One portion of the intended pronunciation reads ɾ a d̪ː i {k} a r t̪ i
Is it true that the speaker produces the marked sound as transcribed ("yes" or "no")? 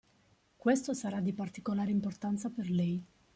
no